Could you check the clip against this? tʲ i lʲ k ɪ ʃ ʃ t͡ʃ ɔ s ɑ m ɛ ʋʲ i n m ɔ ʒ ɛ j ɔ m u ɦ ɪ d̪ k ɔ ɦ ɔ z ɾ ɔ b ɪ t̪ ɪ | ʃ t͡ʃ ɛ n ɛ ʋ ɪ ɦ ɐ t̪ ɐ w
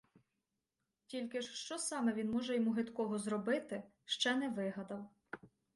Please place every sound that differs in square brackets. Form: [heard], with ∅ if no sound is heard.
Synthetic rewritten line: tʲ i lʲ k ɪ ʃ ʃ t͡ʃ ɔ s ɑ m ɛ ʋʲ i n m ɔ ʒ ɛ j ɔ m u ɦ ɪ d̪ k ɔ ɦ ɔ z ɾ ɔ b ɪ t̪ ɪ | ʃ t͡ʃ ɛ n ɛ ʋ ɪ ɦ ɐ [d̪] ɐ w